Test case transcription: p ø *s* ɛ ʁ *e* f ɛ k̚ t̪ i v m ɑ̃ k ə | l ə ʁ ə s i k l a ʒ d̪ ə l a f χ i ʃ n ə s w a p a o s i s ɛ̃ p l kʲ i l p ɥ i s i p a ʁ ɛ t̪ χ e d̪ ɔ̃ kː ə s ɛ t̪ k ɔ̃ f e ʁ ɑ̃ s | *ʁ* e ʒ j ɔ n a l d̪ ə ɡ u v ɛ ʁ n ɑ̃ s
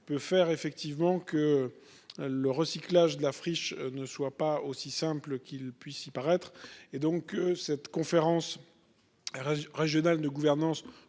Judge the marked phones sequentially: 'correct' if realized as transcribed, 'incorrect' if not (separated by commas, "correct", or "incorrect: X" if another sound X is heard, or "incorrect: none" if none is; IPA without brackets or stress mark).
incorrect: f, correct, correct